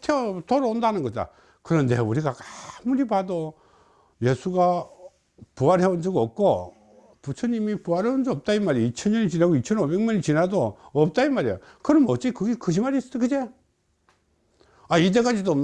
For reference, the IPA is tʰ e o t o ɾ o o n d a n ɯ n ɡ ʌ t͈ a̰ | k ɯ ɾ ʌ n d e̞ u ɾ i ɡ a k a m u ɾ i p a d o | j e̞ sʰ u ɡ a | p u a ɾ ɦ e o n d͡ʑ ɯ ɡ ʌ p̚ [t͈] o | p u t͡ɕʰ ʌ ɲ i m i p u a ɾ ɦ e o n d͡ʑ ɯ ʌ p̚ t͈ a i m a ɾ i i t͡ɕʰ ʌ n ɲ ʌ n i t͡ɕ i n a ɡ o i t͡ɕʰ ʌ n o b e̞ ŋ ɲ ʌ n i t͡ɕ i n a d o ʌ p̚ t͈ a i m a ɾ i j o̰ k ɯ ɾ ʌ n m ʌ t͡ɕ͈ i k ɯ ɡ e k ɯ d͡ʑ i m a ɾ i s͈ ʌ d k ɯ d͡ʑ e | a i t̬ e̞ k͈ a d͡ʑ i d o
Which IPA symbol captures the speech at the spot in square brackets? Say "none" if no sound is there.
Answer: k͈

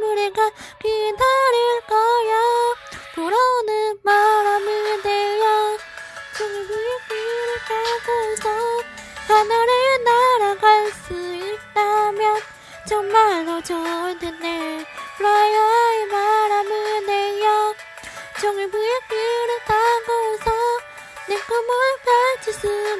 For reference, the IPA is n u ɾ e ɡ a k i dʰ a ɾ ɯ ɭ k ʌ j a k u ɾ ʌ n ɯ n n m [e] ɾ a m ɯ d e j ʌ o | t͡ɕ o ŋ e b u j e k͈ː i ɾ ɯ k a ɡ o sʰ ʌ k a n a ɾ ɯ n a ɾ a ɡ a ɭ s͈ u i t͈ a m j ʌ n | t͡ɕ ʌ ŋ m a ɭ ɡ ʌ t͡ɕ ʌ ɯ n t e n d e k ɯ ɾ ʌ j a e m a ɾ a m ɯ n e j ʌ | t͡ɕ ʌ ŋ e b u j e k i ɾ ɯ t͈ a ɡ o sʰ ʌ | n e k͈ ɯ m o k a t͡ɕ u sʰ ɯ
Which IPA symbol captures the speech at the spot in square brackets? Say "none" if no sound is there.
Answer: a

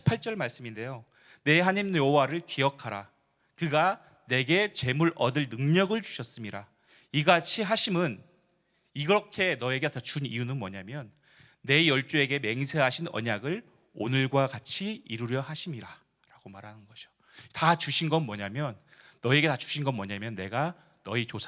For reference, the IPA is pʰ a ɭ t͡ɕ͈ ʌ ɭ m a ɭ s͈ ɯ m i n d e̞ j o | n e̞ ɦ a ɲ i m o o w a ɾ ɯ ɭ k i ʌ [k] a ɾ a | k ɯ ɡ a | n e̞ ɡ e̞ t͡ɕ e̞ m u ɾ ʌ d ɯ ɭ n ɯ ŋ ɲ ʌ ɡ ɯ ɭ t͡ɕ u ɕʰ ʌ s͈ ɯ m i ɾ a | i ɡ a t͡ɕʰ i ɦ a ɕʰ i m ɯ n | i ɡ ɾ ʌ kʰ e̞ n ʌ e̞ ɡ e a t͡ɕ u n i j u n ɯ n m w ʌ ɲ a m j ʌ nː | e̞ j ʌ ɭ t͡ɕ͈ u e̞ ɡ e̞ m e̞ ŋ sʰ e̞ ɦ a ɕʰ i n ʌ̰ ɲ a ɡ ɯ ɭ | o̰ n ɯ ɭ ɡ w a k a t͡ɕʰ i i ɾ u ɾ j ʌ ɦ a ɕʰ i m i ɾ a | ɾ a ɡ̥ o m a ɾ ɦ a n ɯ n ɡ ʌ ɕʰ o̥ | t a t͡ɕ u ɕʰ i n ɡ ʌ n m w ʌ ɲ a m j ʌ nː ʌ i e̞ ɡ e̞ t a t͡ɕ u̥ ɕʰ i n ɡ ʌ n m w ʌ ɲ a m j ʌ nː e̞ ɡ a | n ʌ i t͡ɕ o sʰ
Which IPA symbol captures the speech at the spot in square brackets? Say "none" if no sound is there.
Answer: kʰ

